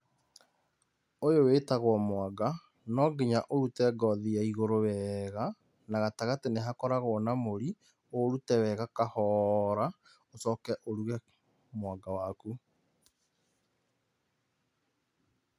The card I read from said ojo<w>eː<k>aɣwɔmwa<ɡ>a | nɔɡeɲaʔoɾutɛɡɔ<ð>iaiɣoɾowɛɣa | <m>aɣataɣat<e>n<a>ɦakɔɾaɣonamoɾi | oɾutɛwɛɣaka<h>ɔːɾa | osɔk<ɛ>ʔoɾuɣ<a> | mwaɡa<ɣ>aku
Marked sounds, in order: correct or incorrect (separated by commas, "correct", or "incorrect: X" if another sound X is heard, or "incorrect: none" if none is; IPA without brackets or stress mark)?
correct, incorrect: t, correct, correct, incorrect: n, correct, incorrect: e, correct, correct, incorrect: ɛ, incorrect: w